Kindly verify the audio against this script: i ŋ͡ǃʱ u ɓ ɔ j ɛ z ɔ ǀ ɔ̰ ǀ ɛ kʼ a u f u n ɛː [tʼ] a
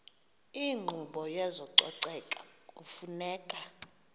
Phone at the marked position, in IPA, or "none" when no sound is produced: kʼ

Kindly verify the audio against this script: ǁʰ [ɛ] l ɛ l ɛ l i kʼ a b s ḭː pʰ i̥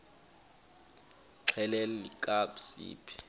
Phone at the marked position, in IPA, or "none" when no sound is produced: ɛ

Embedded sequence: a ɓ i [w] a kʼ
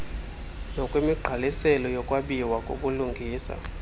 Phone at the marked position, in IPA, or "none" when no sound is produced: w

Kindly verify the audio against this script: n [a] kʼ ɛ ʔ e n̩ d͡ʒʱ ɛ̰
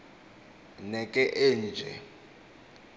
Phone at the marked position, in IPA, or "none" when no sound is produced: ɛ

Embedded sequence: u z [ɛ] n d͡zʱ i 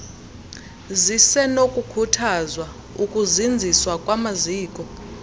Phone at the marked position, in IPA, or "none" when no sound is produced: i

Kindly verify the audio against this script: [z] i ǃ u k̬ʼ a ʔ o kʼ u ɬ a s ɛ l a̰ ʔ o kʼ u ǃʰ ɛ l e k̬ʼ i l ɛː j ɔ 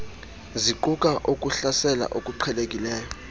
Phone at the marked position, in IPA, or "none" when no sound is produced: z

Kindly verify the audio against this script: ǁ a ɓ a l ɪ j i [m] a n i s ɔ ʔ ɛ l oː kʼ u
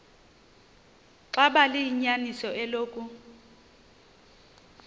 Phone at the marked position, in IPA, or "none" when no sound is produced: ɲ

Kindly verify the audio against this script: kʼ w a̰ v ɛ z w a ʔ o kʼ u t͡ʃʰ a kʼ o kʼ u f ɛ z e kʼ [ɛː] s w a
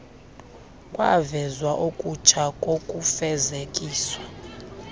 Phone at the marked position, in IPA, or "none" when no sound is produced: iː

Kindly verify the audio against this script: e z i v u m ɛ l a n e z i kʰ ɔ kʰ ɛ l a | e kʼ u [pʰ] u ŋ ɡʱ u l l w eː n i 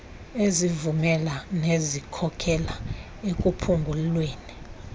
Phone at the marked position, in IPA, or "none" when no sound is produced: pʰ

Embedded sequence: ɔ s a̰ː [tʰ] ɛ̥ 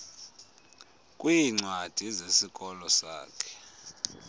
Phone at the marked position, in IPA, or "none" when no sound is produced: kʰ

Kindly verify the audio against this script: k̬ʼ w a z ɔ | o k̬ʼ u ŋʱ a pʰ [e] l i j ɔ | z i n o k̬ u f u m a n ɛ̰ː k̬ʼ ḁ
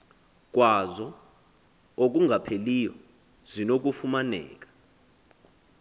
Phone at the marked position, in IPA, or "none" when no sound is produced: e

